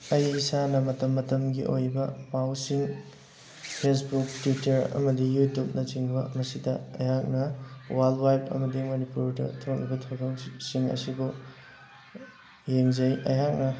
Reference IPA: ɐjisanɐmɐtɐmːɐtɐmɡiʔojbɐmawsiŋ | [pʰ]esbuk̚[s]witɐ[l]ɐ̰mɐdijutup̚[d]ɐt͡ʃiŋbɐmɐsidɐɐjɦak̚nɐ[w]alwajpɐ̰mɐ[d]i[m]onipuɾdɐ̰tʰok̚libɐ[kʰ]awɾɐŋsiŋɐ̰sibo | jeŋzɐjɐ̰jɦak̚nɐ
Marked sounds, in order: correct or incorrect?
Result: correct, incorrect, incorrect, incorrect, correct, correct, correct, incorrect

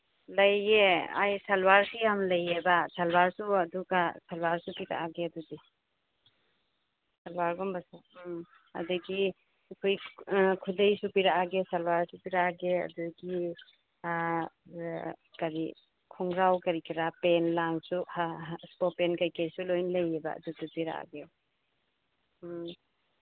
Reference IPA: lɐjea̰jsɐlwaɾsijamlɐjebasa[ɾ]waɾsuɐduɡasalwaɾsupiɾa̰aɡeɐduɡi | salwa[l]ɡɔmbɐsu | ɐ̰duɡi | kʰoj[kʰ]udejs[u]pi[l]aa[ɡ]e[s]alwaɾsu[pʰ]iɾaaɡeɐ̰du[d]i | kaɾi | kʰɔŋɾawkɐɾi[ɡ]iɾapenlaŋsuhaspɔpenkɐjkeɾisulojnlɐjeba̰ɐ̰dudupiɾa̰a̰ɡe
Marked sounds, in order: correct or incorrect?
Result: incorrect, incorrect, correct, correct, incorrect, correct, correct, incorrect, incorrect, incorrect

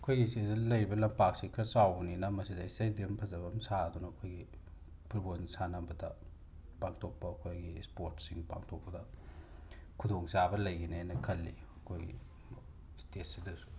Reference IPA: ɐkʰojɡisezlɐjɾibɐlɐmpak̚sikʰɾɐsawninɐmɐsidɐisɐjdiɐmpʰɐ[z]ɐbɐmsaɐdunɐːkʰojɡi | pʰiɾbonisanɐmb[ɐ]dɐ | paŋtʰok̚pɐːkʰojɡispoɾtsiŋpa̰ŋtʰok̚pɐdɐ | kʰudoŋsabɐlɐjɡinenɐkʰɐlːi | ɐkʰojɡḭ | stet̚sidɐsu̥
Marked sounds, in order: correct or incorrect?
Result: correct, correct

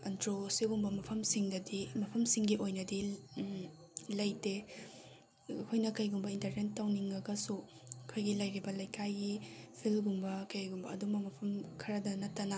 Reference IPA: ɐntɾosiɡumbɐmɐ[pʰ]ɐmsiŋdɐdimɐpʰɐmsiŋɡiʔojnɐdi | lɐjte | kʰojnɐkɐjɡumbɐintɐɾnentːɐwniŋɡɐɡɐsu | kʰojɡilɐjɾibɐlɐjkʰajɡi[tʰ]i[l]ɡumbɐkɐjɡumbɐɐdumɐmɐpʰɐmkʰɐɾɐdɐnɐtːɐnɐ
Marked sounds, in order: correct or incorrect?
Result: correct, incorrect, correct

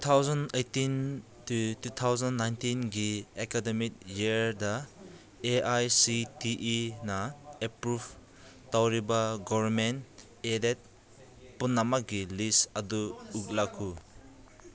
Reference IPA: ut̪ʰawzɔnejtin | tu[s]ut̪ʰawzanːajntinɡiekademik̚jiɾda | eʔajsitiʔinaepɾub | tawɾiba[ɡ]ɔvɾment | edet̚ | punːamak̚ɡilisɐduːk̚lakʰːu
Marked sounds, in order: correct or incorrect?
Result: incorrect, correct

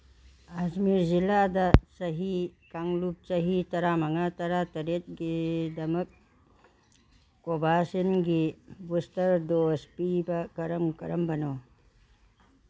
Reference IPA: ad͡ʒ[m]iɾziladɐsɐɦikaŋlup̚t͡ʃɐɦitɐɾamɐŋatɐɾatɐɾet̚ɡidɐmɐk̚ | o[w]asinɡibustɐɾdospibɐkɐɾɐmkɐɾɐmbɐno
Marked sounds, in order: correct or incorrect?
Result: correct, incorrect

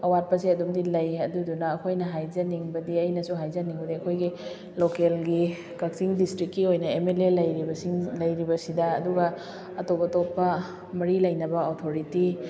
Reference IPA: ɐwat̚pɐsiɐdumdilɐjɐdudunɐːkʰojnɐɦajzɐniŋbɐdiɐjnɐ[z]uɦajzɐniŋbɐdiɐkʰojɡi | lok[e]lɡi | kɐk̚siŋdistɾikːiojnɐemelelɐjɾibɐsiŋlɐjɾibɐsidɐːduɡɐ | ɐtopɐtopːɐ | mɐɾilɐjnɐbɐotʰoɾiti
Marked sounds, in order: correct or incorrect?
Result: incorrect, correct

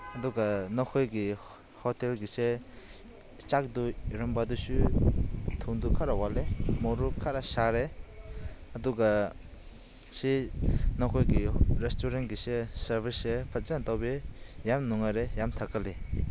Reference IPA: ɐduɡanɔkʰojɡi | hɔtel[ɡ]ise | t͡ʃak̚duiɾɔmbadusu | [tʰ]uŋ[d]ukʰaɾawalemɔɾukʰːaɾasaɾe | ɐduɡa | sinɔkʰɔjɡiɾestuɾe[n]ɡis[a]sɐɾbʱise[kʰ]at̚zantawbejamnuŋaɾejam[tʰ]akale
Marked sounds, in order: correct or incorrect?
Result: correct, correct, correct, correct, incorrect, incorrect, correct

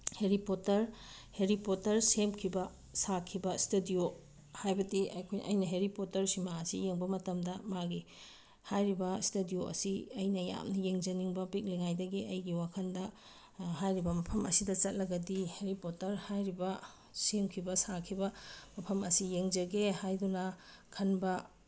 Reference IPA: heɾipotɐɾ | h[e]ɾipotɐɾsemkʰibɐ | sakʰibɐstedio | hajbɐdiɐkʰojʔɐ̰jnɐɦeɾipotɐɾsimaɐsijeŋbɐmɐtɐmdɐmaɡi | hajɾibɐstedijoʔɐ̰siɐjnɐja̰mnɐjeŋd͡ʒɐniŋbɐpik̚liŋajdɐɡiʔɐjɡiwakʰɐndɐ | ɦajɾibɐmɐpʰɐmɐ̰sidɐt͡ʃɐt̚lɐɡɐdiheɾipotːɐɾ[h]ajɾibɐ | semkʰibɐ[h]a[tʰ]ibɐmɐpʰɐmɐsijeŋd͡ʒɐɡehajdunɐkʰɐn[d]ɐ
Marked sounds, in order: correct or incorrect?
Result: correct, correct, incorrect, incorrect, incorrect

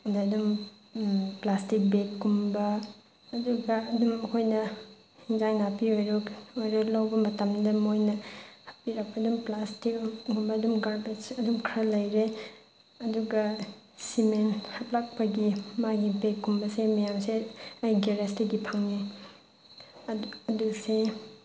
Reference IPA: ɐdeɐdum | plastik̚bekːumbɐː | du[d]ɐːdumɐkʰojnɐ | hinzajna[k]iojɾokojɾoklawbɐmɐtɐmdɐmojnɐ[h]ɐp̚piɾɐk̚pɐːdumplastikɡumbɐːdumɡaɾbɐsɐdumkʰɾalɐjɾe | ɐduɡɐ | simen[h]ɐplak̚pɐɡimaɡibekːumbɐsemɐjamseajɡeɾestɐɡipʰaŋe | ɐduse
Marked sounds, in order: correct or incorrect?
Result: incorrect, incorrect, correct, correct

